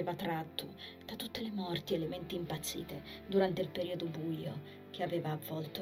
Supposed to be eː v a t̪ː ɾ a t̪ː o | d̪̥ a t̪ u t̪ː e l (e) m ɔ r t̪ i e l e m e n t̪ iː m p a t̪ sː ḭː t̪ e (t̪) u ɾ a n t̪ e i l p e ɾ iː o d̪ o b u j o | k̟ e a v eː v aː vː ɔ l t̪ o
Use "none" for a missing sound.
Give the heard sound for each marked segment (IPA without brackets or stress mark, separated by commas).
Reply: e, d̪